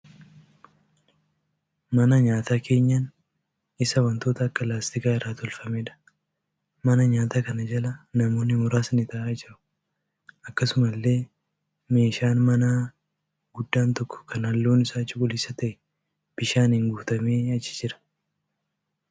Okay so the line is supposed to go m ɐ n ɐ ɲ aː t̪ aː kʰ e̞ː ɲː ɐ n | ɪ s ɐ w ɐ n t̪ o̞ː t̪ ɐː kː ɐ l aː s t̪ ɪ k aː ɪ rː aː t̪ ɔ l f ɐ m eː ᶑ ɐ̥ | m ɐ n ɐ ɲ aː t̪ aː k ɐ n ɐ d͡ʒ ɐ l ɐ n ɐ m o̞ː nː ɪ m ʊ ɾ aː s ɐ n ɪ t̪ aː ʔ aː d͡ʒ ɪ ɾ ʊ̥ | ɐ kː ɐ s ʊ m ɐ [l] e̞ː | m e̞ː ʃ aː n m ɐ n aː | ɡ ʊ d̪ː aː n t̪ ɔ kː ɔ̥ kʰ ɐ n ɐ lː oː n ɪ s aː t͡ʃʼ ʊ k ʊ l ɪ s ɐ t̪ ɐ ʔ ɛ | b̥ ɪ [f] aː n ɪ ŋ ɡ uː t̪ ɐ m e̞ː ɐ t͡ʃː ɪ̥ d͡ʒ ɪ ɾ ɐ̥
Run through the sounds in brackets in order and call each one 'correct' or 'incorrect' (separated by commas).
incorrect, incorrect